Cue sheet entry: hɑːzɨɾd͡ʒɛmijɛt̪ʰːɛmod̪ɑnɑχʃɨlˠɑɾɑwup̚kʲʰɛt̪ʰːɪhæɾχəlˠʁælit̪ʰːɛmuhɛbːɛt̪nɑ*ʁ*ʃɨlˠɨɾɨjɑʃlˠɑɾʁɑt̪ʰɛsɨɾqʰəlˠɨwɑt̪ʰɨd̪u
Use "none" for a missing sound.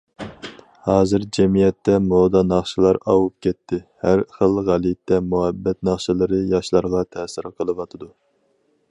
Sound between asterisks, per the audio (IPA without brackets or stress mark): χ